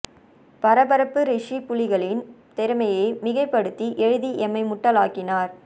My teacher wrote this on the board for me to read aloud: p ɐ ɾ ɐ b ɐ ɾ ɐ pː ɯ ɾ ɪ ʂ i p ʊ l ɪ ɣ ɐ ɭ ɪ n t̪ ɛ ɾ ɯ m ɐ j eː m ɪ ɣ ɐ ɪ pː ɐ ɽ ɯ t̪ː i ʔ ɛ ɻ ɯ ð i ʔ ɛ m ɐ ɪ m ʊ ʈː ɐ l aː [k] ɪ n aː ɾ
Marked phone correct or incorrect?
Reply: correct